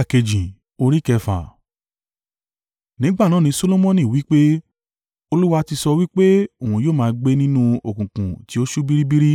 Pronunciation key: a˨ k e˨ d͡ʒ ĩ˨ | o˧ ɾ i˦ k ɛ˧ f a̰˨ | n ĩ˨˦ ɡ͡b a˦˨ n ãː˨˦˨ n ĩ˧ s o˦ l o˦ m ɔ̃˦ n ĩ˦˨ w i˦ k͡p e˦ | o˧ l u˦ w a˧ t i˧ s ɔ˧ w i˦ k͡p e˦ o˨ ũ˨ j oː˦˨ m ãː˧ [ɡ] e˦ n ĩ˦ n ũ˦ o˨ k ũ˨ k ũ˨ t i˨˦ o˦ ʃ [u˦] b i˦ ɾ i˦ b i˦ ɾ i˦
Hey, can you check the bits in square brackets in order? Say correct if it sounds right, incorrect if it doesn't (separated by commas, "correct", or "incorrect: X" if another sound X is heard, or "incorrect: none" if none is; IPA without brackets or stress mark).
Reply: incorrect: ɡ͡b, correct